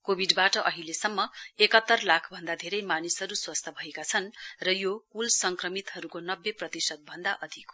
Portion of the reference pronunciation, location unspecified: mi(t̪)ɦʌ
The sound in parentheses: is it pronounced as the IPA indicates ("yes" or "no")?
yes